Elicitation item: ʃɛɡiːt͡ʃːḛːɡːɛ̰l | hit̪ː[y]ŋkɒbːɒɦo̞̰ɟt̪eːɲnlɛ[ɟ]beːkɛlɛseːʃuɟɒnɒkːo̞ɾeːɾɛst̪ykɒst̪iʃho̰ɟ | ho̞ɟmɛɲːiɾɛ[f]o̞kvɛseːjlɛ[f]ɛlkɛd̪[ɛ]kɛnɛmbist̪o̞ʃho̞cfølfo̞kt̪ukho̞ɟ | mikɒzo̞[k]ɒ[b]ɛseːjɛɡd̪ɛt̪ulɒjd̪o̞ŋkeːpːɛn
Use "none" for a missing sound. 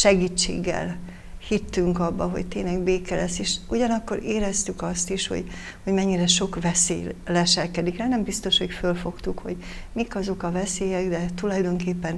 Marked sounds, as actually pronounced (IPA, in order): y, ɡ, ʃ, ʃ, i, k, v

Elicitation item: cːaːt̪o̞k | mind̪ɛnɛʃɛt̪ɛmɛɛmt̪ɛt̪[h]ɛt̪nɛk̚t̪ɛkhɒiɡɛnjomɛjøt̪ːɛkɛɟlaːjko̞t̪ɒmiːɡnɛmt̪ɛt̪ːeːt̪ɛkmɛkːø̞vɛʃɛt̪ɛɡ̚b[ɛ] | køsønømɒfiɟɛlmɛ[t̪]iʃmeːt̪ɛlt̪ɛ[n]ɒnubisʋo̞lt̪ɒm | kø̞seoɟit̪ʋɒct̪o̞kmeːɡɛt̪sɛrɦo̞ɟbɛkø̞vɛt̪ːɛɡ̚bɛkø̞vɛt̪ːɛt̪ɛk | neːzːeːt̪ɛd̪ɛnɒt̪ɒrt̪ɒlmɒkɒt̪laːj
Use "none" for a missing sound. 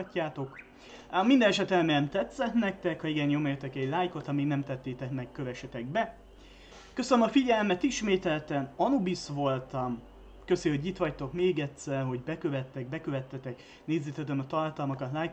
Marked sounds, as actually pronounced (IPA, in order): s, ɛ, t̪, n

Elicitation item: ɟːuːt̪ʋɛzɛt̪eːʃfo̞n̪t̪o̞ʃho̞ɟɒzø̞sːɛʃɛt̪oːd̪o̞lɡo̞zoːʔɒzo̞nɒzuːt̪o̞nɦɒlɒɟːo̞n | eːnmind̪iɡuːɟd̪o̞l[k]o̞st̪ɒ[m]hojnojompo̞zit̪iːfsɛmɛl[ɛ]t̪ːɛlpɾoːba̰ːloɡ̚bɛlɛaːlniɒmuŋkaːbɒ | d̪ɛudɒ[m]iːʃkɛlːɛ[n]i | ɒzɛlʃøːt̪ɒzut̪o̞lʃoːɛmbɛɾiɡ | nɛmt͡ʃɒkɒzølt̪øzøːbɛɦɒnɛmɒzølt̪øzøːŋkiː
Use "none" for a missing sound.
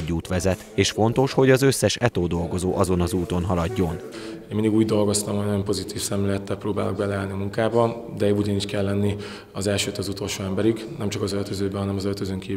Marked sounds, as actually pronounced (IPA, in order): ɡ, m, ɛ, n, nː

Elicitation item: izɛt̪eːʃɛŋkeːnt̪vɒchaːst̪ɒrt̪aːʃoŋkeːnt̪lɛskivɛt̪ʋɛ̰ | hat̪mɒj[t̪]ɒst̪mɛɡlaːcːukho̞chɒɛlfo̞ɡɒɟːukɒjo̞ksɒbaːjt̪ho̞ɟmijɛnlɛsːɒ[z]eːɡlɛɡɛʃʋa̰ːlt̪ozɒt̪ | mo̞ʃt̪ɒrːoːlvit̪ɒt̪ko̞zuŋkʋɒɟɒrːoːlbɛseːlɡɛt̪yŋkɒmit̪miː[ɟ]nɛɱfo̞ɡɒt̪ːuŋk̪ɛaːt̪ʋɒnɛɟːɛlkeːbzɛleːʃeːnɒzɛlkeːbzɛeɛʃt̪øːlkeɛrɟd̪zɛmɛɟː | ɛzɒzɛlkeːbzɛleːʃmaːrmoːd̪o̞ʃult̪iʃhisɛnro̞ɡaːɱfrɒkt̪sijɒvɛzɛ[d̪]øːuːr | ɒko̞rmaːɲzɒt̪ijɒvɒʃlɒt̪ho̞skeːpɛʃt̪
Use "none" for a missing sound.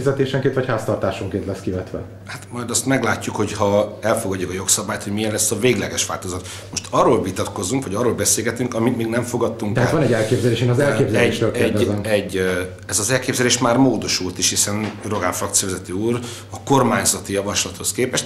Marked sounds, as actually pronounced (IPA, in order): d̪, v, ɡ, t̪

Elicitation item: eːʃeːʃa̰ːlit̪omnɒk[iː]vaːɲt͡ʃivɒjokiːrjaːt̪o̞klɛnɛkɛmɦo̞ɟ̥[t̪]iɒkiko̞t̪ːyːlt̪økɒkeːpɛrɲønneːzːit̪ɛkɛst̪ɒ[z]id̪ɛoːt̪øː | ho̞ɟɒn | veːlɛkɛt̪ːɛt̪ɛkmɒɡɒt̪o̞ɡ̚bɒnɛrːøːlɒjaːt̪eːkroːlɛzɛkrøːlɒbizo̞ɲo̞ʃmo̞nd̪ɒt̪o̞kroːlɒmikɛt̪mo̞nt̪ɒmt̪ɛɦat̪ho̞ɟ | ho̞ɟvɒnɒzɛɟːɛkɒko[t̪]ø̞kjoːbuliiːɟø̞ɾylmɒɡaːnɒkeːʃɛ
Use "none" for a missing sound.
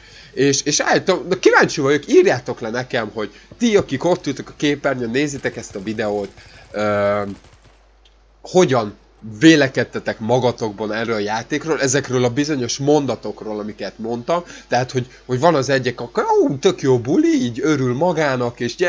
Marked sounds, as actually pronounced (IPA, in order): i, t̪, v, t̪

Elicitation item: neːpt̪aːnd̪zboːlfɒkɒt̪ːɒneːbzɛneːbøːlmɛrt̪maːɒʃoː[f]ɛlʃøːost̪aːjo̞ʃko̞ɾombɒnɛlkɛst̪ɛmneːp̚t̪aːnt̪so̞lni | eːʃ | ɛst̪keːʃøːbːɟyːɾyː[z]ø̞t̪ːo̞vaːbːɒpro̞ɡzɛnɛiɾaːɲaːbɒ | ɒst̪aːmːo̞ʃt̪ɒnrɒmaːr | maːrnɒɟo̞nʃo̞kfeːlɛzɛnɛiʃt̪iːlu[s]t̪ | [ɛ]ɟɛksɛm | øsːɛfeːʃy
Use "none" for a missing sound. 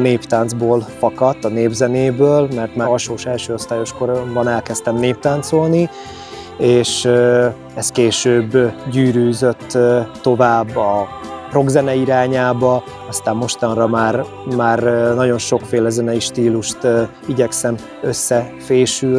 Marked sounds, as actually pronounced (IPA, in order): ʃ, z, ʃ, i

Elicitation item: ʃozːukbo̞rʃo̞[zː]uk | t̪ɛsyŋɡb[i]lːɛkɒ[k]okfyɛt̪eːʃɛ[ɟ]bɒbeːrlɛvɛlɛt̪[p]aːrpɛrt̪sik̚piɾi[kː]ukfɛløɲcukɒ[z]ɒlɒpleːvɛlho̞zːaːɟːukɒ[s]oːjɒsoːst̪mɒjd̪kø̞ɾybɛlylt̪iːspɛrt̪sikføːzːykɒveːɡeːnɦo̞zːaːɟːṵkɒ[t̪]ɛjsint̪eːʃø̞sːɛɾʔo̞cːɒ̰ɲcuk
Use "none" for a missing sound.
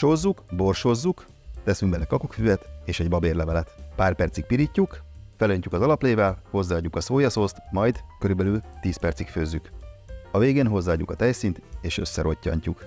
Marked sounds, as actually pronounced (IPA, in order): zː, ɛ, k, ɟ, p, cː, z, s, t̪

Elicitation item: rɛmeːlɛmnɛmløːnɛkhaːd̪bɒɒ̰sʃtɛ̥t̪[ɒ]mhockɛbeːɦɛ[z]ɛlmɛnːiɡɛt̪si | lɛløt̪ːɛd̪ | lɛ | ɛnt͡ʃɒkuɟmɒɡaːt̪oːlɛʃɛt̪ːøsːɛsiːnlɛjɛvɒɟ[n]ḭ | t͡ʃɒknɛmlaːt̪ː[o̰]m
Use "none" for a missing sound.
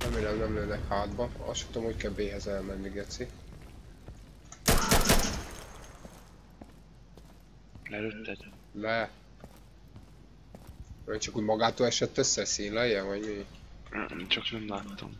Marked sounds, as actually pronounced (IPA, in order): o, z, m, o̰

